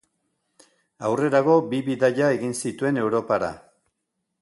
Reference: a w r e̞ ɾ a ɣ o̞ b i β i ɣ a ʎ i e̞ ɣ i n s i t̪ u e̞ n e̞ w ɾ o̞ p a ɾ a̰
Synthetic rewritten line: a w r e̞ ɾ a ɣ o̞ b i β i ð a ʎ a e̞ ɣ i n s i t̪ u e̞ n e̞ w ɾ o̞ p a ɾ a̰